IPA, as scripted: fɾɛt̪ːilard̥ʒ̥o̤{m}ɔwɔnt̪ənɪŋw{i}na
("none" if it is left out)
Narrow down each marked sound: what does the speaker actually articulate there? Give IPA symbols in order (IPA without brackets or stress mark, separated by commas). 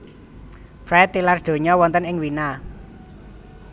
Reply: ɲ, i